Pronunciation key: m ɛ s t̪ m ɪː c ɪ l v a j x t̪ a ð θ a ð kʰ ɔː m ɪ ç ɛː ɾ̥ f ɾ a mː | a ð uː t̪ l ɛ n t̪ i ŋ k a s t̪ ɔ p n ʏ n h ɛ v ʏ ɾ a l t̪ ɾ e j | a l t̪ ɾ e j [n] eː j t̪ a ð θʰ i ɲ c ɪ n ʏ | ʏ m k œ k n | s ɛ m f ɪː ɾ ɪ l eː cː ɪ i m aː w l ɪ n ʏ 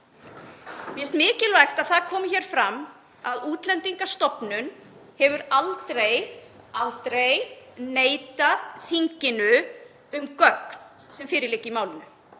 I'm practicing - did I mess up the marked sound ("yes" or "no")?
no